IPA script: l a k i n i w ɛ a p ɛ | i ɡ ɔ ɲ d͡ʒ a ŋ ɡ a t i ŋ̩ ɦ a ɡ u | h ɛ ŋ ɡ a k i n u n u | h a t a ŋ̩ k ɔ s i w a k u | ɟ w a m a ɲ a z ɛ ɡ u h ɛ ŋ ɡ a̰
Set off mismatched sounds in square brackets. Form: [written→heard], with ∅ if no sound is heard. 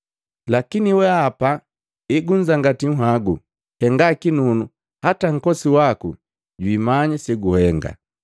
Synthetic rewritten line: l a k i n i w ɛ a p [ɛ→a] | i ɡ [ɔ→u] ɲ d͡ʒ a ŋ ɡ a t i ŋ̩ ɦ a ɡ u | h ɛ ŋ ɡ a k i n u n u | h a t a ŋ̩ k ɔ s i w a k u | ɟ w [a→i] m a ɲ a [z→s] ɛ ɡ u h ɛ ŋ ɡ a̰